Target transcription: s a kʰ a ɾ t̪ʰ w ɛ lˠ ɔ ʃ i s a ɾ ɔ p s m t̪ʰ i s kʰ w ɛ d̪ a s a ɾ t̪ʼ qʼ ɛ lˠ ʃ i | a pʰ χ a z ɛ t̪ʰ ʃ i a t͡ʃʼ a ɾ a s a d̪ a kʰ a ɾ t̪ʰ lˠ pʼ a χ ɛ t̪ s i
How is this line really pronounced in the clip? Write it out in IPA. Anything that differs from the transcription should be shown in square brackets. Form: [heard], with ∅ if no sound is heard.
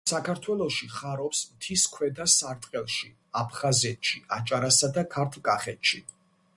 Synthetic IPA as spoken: s a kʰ a ɾ t̪ʰ w ɛ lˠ ɔ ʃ i [χ] a ɾ ɔ p s m t̪ʰ i s kʰ w ɛ d̪ a s a ɾ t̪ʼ qʼ ɛ lˠ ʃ i | a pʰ χ a z ɛ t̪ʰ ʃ i a t͡ʃʼ a ɾ a s a d̪ a kʰ a ɾ t̪ʰ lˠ [kʼ] a χ ɛ t̪ [ʃ] i